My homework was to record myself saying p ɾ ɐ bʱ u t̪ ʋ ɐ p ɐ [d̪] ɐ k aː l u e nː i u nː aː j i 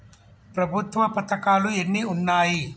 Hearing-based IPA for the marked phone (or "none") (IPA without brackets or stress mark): t̪